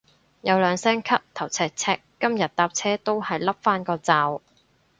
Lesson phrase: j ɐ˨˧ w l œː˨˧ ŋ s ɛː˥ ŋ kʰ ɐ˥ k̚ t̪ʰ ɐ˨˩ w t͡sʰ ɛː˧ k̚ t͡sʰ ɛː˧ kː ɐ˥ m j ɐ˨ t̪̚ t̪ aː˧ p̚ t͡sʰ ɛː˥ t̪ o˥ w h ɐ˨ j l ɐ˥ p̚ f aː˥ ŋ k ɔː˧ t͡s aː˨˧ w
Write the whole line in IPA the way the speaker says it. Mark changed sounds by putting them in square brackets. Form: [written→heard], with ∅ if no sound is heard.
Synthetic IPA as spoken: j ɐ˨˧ w l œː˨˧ ŋ s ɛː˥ ŋ kʰ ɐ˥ [k̚→p̚] t̪ʰ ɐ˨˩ w t͡sʰ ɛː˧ k̚ t͡sʰ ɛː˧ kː ɐ˥ m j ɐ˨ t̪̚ t̪ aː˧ p̚ t͡sʰ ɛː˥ t̪ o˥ w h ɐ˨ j l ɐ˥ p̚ f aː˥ [ŋ→n] k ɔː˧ t͡s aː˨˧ w